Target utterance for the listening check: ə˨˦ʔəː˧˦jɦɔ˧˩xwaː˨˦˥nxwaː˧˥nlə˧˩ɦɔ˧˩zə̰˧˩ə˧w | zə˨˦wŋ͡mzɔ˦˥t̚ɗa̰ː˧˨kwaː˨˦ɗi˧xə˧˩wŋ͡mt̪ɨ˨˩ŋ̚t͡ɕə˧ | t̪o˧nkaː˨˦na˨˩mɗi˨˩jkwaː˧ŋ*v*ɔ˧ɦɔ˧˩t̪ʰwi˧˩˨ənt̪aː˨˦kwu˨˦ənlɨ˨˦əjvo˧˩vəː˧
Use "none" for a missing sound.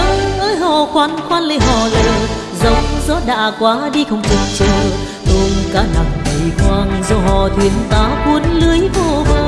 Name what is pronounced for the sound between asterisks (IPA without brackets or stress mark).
z